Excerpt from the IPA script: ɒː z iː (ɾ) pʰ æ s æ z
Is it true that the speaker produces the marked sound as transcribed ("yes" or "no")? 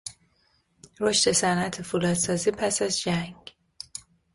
no